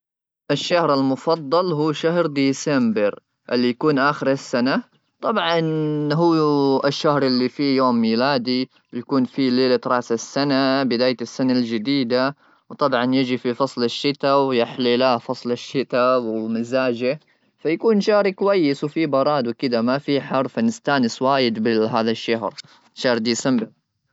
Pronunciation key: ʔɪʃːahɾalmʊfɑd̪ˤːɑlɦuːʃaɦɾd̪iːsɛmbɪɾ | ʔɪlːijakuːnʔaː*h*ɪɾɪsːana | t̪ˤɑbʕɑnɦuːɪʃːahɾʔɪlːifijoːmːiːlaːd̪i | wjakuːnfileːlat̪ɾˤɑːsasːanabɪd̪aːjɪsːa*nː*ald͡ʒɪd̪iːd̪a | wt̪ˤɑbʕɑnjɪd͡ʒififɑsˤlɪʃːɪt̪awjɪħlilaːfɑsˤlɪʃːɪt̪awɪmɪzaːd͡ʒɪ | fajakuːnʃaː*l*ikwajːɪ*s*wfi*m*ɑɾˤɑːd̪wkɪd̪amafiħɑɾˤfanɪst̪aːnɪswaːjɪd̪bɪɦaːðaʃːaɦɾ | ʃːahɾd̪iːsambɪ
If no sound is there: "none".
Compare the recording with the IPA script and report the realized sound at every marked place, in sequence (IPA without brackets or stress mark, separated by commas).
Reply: x, n, ɾ, s, b